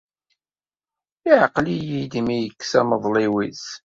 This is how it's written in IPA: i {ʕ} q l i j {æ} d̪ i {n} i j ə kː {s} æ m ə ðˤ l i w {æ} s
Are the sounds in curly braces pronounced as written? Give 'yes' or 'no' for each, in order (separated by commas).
yes, no, no, yes, no